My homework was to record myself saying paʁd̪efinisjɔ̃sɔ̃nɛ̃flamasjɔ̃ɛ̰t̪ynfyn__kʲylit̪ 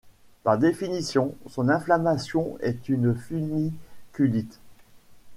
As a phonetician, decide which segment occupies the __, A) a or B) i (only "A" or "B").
B